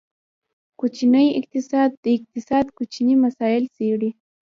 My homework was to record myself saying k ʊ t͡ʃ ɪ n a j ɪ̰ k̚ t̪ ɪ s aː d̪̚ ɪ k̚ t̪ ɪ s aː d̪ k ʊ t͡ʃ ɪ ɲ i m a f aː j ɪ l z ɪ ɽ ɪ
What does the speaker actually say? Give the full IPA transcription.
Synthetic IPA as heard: k ʊ t͡ʃ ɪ n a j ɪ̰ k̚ t̪ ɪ s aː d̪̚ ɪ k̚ t̪ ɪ s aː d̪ k ʊ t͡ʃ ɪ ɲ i m a s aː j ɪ l s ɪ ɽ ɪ